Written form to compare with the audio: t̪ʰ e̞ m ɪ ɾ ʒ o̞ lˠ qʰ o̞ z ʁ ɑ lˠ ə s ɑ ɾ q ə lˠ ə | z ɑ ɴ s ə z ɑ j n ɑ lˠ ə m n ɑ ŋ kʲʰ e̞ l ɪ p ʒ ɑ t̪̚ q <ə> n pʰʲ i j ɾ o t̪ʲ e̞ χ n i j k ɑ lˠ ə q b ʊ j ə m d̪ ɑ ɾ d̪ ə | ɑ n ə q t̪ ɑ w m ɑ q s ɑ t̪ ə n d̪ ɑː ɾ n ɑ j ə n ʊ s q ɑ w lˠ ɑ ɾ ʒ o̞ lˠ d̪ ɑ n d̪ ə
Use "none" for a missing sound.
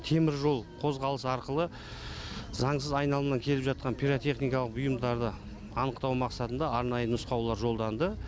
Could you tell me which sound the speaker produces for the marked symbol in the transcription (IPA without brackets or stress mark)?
ɑ